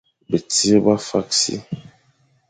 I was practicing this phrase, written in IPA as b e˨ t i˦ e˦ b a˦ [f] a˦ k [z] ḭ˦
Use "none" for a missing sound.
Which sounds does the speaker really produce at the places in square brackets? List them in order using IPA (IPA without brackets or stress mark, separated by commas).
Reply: f, s